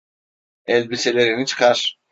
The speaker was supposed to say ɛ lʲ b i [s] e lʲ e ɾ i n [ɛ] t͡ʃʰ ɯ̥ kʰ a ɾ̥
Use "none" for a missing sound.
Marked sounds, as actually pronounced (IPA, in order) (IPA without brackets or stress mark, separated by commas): s, i